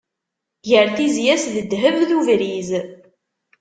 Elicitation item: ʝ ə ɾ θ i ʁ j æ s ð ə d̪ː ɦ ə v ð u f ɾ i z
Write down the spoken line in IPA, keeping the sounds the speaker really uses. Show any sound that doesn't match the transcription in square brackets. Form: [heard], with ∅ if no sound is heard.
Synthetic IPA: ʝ ə ɾ θ i [z] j æ s ð ə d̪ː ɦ ə v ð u [v] ɾ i z